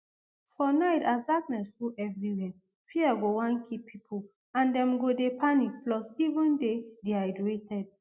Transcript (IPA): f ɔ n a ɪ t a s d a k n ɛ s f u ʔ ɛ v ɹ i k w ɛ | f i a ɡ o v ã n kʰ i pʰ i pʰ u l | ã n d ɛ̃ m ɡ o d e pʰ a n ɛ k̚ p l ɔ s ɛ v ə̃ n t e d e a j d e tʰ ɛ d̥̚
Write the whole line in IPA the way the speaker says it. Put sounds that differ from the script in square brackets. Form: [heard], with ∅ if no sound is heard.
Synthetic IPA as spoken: f ɔ n a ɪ t a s d a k n ɛ s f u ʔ ɛ v ɹ i [∅] w ɛ | f i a ɡ o [w] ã n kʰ i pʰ i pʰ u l | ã n d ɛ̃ m ɡ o d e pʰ a n [i] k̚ p l ɔ s [i] v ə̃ n [d] e d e a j d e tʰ ɛ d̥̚